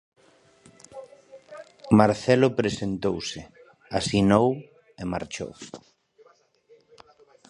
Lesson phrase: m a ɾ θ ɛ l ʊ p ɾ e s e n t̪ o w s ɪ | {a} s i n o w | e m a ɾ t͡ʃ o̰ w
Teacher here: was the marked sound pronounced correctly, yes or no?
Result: yes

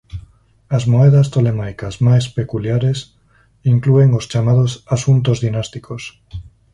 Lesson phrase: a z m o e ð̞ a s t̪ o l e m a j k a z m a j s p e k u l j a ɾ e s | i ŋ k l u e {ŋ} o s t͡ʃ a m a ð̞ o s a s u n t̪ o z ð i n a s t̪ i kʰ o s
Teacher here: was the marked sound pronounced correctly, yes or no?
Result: yes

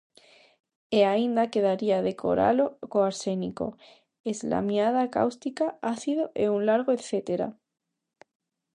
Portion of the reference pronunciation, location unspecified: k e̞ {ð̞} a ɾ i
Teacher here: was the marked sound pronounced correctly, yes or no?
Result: yes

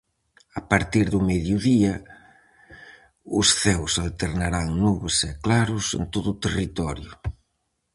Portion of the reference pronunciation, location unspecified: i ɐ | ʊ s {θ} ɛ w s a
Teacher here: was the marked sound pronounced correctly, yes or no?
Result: yes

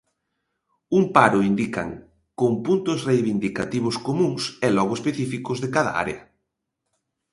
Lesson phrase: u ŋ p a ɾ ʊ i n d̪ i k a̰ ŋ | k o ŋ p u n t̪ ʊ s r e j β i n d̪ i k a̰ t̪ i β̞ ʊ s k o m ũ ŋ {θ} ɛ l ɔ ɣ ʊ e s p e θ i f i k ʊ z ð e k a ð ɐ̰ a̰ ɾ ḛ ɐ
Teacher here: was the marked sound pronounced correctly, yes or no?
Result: no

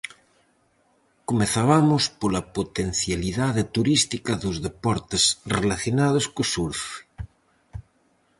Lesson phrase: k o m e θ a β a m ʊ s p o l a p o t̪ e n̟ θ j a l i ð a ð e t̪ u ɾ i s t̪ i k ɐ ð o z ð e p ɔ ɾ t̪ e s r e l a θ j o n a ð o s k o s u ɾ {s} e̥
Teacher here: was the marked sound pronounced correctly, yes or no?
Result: no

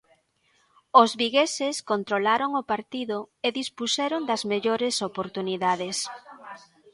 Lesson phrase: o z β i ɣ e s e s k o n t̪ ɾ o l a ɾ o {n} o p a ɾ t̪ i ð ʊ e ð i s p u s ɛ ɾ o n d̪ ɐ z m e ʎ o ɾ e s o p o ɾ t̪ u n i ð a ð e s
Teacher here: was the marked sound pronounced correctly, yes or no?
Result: no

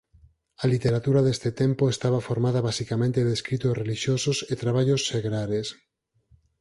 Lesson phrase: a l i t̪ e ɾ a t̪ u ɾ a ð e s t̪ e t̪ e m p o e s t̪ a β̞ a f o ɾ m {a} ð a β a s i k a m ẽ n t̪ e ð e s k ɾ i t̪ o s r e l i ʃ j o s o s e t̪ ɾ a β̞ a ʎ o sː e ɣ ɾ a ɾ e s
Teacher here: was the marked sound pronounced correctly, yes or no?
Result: yes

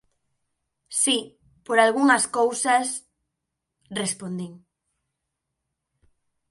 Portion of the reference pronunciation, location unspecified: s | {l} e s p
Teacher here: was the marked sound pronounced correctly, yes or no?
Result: no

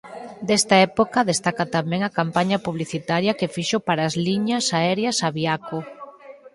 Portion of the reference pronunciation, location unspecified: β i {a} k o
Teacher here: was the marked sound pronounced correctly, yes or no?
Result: yes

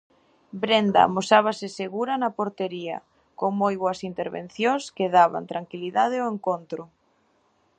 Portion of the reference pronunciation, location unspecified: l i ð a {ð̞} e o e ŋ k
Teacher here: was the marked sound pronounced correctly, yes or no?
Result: yes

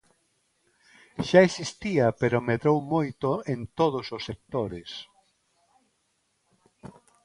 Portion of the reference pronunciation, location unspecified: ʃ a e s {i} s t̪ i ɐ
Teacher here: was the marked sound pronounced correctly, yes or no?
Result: yes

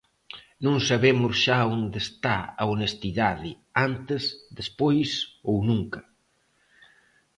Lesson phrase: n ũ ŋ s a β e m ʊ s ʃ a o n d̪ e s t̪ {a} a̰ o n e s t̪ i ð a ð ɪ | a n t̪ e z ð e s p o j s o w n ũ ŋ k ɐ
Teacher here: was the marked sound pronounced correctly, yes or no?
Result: yes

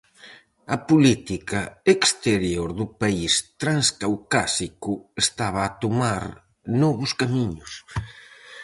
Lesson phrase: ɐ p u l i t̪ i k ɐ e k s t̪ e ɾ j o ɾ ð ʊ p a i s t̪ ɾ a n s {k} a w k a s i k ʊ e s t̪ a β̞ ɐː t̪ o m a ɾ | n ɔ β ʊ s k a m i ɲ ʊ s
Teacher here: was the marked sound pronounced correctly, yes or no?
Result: yes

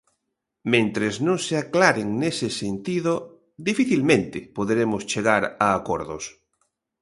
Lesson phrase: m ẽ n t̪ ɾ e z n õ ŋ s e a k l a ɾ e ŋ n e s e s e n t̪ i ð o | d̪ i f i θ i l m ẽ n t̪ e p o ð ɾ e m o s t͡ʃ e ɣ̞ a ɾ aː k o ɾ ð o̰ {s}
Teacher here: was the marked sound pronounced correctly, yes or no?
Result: yes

